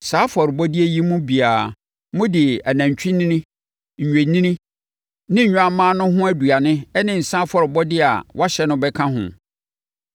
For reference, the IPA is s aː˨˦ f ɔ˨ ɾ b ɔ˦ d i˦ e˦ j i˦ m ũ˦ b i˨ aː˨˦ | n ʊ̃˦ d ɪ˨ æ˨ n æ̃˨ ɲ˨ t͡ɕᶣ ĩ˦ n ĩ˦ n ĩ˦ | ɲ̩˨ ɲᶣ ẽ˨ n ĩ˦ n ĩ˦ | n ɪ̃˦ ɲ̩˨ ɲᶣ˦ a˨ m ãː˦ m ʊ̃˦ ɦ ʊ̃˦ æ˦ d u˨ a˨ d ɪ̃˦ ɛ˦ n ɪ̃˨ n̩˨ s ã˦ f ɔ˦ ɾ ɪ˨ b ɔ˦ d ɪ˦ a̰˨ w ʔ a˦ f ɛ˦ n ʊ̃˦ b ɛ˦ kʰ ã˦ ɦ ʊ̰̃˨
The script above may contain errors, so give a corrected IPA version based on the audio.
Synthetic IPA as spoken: s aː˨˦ f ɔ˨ ɾ b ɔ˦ d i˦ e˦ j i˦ m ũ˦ b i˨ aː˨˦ | m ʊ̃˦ d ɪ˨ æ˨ n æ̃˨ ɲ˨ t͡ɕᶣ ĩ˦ n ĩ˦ n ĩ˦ | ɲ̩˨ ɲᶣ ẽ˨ n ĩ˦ n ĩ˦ | n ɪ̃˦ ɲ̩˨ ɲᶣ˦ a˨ m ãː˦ n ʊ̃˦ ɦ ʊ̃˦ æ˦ d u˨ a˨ n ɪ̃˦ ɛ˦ n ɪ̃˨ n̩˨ s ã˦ f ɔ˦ ɾ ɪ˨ b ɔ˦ d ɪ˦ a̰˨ w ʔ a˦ ɕ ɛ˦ n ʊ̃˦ b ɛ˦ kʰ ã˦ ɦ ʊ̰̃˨